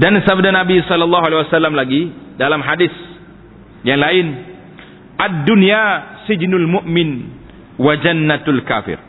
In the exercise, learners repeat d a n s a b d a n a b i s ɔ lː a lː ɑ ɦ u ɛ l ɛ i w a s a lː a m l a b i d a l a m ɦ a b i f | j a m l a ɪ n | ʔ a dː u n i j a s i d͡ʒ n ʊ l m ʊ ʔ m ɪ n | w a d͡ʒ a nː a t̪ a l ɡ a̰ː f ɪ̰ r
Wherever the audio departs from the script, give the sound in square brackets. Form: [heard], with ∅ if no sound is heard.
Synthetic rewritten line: d a n s a b d a n a b i s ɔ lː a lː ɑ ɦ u [a] l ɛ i w a s a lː a m l a [ɡ] i d a l a m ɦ a [d] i [s] | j a [ŋ] l a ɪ n | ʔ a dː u n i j a s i d͡ʒ n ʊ l m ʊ ʔ m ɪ n | w a d͡ʒ a nː a t̪ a l [k] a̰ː f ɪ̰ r